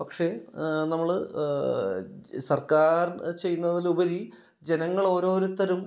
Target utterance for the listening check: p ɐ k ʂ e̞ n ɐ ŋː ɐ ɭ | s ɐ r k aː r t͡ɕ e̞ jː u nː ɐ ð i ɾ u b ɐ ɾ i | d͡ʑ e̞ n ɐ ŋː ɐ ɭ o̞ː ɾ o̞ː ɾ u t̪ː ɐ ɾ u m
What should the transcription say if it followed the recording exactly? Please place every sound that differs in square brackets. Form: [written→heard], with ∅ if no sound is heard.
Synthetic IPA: p ɐ k ʂ e̞ n ɐ [ŋː→mː] ɐ ɭ | s ɐ r k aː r t͡ɕ e̞ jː u nː ɐ ð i [ɾ→l] u b ɐ ɾ i | d͡ʑ e̞ n ɐ ŋː ɐ ɭ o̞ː ɾ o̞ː ɾ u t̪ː ɐ ɾ u m